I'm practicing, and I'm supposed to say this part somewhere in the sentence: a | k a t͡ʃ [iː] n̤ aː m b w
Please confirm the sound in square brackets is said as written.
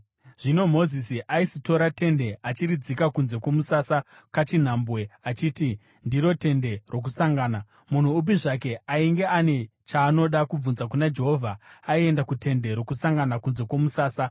no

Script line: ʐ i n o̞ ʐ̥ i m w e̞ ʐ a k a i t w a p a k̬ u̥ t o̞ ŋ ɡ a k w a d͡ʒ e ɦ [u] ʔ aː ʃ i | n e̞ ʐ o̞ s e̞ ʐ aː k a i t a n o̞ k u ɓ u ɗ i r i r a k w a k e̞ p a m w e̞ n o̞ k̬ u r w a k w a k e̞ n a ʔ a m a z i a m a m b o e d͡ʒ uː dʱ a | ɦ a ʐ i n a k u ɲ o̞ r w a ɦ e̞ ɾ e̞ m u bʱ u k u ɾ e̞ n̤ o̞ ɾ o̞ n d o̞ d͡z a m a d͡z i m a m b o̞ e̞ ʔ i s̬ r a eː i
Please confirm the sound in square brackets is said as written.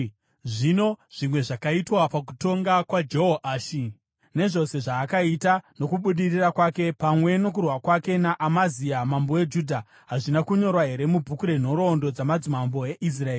no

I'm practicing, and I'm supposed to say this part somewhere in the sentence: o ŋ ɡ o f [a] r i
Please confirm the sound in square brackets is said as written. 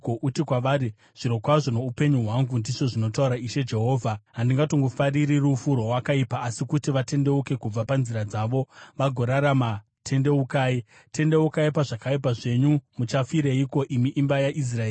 yes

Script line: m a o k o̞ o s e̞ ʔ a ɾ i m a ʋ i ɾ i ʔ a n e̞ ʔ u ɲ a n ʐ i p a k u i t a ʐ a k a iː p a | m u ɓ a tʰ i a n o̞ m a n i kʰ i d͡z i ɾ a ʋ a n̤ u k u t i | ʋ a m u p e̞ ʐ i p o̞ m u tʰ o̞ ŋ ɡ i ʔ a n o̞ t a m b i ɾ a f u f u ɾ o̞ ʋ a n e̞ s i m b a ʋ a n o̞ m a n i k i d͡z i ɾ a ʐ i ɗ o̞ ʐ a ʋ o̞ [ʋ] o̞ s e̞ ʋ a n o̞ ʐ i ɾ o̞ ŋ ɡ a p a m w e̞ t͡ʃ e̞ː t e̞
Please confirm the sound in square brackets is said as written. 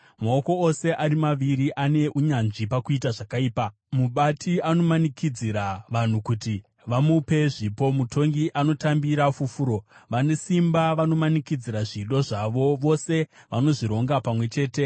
yes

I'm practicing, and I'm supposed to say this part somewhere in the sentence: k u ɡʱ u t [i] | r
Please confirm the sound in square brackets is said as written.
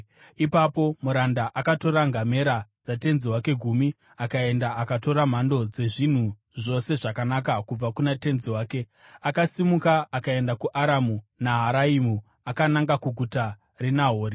no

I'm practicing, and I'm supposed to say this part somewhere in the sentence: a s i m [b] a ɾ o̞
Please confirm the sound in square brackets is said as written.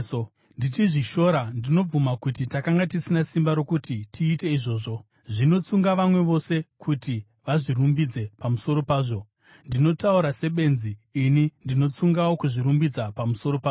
yes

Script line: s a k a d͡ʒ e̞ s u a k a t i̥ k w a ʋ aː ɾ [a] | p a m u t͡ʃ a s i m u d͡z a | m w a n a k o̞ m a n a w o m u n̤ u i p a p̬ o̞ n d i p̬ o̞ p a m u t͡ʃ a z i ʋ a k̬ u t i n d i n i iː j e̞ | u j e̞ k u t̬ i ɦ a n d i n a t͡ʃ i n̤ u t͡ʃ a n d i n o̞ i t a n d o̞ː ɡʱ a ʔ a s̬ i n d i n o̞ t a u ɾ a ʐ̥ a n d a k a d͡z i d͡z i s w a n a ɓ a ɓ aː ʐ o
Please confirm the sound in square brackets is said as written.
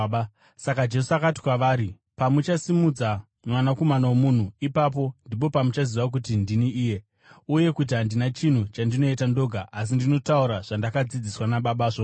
no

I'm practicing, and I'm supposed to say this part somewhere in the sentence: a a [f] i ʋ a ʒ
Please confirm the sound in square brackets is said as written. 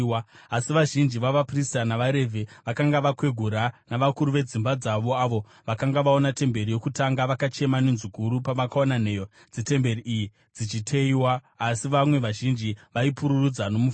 no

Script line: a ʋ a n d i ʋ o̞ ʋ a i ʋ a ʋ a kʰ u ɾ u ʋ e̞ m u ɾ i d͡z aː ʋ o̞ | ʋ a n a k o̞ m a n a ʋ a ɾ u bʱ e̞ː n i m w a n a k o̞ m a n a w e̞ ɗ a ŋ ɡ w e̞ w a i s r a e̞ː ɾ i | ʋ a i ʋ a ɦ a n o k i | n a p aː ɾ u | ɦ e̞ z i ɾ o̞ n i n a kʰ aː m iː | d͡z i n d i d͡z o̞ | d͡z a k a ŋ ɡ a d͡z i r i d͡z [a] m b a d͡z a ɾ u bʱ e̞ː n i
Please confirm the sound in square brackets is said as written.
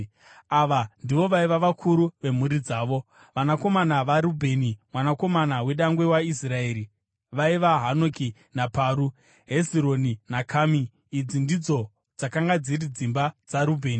no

